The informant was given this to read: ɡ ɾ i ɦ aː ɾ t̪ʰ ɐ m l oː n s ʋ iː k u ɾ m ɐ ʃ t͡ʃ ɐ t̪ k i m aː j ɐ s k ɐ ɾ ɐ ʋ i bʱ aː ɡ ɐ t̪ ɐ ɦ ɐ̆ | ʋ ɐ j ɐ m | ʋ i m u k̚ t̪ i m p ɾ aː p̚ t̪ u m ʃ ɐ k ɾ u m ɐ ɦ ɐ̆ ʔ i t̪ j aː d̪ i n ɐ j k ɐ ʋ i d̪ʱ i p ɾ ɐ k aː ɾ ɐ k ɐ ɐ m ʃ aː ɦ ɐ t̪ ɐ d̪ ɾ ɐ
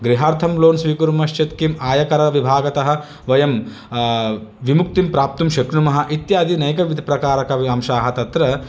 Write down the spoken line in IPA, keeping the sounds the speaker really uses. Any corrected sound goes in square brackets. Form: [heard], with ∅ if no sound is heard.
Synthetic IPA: ɡ ɾ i ɦ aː ɾ t̪ʰ ɐ m l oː n s ʋ iː k u ɾ m ɐ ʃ t͡ʃ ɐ t̪ k i m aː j ɐ [∅] k ɐ ɾ ɐ ʋ i bʱ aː ɡ ɐ t̪ ɐ ɦ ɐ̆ | ʋ ɐ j ɐ m | ʋ i m u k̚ t̪ i m p ɾ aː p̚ t̪ u m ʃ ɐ k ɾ u m ɐ ɦ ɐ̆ ʔ i t̪ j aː d̪ i n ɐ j k ɐ ʋ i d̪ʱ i p ɾ ɐ k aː ɾ ɐ k ɐ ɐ m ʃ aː ɦ ɐ t̪ ɐ [t̪] ɾ ɐ